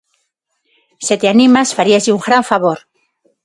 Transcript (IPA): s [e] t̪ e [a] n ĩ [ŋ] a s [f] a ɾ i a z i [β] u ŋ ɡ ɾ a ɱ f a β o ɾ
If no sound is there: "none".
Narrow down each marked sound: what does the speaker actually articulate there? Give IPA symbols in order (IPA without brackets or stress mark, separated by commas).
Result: e, a, m, f, none